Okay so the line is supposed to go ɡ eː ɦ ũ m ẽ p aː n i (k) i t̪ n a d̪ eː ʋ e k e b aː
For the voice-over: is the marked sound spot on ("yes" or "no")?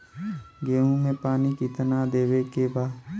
yes